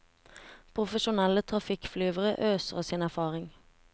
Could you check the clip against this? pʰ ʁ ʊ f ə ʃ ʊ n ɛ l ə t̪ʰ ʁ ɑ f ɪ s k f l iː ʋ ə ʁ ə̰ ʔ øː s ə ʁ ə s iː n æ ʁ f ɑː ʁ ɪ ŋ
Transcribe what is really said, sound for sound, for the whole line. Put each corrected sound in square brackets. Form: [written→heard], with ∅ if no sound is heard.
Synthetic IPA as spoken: pʰ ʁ ʊ f ə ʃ ʊ n ɛ l ə t̪ʰ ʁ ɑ f ɪ [s→∅] k f l [iː→yː] ʋ ə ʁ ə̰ ʔ øː s ə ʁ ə s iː n æ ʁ f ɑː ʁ ɪ ŋ